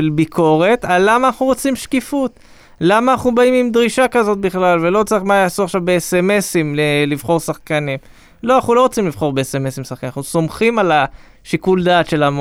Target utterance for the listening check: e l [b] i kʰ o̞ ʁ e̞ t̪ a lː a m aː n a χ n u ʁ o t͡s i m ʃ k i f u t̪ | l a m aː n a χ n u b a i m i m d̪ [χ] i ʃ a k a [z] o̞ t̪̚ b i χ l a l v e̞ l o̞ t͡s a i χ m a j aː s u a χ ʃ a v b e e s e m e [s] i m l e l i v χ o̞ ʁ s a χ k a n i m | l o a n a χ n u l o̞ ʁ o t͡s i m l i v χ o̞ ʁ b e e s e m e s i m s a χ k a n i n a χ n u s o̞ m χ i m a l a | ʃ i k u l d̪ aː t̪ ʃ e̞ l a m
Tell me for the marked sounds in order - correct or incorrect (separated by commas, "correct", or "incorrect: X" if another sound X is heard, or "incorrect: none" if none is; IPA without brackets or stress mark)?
correct, incorrect: ʁ, correct, correct